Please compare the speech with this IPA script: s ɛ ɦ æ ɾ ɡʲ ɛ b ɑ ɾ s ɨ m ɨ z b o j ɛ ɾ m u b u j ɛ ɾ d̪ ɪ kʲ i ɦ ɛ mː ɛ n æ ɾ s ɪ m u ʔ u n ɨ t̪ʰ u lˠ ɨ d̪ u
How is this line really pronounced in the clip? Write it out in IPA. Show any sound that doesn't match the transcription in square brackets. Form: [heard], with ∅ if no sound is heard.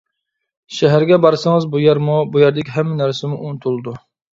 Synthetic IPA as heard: [ʃ] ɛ ɦ æ ɾ ɡʲ ɛ b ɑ ɾ s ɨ [ŋ] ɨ z b [u] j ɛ ɾ m u b u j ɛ ɾ d̪ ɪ kʲ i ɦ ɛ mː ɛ n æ ɾ s ɪ m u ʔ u n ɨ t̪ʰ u lˠ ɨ d̪ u